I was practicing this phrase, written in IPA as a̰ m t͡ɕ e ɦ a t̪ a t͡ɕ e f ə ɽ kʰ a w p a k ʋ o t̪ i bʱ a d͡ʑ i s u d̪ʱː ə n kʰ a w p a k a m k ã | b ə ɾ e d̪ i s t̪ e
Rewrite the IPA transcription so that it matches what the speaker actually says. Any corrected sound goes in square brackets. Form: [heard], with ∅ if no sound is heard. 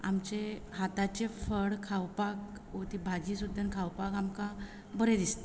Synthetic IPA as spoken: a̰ m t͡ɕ e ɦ a t̪ a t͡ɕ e f ə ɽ kʰ a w p a k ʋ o t̪ i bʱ a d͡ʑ i s u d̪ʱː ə n kʰ a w p a k a m k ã | b ə ɾ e d̪ i s t̪ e